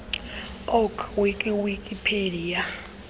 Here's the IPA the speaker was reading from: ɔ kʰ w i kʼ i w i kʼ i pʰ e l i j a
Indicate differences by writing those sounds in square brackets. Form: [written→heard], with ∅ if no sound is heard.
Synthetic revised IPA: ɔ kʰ w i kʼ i w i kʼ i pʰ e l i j a